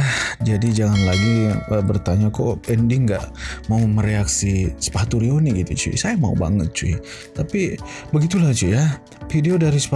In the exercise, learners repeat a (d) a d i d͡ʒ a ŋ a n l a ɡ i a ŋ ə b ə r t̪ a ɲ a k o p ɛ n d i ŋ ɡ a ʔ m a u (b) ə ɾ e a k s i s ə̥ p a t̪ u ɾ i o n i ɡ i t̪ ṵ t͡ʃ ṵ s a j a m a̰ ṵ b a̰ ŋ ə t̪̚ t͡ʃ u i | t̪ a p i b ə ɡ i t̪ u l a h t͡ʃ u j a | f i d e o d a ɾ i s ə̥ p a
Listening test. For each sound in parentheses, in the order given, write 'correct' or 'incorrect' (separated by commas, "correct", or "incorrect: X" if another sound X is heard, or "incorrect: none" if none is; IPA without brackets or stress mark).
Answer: incorrect: d͡ʒ, incorrect: m